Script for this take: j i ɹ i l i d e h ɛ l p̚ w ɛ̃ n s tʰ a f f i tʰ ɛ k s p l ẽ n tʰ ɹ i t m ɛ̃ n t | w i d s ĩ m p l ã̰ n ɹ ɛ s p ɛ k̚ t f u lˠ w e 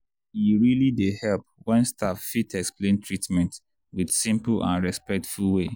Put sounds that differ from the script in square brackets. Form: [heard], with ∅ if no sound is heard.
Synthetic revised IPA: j i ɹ i l i d e h ɛ l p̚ w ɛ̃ n s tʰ a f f i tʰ ɛ k s p l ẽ n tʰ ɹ i t m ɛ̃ n t | w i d s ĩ m p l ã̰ n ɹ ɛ s p ɛ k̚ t f u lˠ w e